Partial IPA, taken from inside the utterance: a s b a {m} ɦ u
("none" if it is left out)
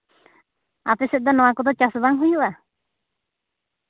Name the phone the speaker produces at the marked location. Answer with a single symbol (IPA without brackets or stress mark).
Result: ŋ